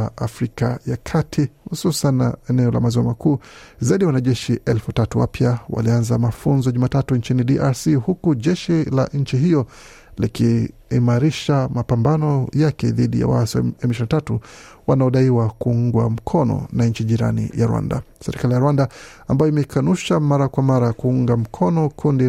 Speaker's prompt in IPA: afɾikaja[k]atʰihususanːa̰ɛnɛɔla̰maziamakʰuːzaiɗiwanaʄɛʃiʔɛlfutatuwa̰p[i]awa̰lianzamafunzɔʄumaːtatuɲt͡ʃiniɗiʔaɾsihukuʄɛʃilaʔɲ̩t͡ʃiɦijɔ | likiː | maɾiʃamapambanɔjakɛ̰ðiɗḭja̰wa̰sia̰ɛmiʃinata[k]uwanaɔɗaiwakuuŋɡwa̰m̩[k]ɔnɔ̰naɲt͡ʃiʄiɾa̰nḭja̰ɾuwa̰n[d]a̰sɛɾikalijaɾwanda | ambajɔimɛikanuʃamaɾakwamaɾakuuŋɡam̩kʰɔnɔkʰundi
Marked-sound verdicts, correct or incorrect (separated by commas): incorrect, incorrect, incorrect, incorrect, correct